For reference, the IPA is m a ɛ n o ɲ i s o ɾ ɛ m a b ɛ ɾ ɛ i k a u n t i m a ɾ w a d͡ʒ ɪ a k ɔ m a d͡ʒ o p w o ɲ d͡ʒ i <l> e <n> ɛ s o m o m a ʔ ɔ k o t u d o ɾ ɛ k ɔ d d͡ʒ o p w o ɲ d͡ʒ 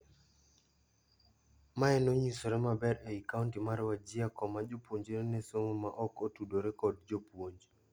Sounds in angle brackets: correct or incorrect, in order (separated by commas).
incorrect, correct